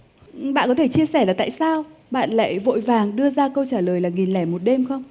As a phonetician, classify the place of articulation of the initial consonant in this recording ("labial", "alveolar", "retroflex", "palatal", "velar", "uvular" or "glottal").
labial